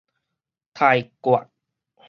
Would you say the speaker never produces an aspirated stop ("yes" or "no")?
no